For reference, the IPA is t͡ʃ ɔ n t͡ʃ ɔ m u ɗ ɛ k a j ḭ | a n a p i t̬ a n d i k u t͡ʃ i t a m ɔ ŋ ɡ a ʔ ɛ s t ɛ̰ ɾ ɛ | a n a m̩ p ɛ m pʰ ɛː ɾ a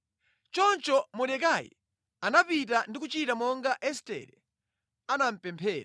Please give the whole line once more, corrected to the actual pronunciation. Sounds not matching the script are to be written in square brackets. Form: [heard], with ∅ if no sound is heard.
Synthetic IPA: t͡ʃ ɔ n t͡ʃ ɔ m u ɗ ɛ k a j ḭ | a n a p i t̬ a n d i k u t͡ʃ i t a m ɔ ŋ ɡ a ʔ ɛ s t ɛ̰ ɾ ɛ | a n a m̩ p ɛ m pʰ ɛː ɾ a